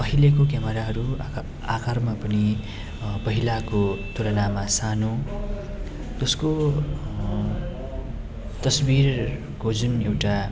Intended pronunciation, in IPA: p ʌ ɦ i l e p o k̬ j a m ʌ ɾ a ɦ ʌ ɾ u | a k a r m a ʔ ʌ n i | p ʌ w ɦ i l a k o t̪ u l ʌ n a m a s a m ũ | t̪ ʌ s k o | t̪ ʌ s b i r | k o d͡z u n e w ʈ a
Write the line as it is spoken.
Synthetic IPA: p ʌ ɦ i l e k o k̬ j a m ʌ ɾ a ɦ ʌ ɾ u | a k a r m a p ʌ n i | p ʌ ɦ i l a k o t̪ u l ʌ n a m a s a n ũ | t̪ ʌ s k o | t̪ ʌ s b i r | k o d͡z u n e w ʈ a